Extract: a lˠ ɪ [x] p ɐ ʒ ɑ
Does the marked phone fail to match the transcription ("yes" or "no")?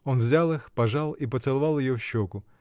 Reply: no